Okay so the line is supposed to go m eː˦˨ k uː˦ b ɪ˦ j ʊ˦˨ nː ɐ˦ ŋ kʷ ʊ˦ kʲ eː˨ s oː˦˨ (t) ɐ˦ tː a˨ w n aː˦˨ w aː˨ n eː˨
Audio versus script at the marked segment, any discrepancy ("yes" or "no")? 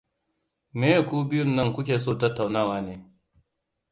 no